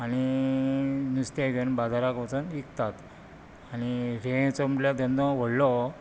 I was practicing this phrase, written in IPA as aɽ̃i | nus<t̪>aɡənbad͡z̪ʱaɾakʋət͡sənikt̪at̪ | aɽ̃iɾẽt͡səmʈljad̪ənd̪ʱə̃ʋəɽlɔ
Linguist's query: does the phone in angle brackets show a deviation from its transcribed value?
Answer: no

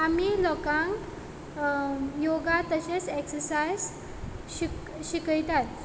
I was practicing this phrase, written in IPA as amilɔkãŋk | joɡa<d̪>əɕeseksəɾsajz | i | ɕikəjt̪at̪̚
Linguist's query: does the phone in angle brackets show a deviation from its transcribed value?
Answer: yes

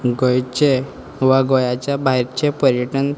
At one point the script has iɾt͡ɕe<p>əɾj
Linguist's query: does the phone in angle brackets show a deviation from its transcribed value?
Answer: no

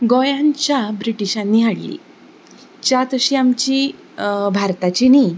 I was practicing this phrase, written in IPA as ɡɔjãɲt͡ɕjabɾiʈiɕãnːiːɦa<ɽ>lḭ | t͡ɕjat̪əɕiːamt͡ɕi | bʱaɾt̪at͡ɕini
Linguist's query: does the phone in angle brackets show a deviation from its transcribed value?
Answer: no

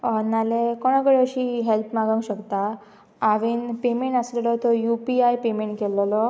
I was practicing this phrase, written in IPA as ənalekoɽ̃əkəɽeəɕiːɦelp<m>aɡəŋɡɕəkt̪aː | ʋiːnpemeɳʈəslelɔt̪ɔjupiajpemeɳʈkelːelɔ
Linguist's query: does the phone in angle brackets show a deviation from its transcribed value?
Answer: no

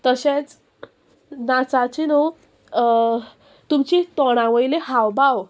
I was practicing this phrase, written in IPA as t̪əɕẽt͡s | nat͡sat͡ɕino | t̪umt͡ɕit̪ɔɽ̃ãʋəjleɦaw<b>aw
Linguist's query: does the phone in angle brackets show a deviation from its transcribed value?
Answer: no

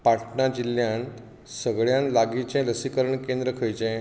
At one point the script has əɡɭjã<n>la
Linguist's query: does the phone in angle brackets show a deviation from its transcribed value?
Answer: no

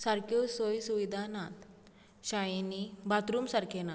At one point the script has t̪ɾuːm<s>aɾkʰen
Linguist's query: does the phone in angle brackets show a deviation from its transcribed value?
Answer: no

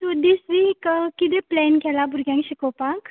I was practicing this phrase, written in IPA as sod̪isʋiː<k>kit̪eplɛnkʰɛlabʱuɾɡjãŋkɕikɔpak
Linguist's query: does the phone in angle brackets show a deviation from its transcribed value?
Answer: no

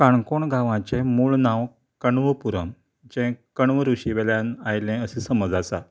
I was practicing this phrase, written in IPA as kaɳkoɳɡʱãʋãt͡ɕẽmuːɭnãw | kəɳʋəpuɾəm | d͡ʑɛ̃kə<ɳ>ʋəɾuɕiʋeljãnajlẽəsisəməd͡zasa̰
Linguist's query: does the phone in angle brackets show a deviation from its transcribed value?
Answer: no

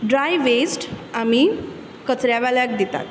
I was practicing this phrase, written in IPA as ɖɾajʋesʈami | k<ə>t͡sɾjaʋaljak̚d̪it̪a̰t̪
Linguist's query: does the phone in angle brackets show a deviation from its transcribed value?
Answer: no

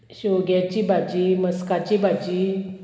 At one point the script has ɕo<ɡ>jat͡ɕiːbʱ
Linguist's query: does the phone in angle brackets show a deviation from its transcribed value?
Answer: no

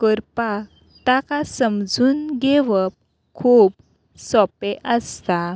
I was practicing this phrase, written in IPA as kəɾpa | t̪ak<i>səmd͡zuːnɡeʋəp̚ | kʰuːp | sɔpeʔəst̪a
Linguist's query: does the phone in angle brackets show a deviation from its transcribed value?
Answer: yes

